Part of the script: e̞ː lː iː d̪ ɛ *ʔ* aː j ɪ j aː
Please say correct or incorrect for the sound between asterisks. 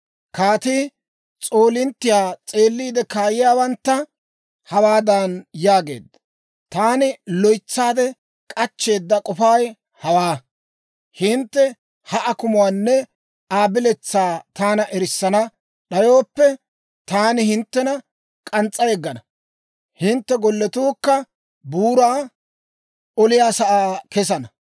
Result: incorrect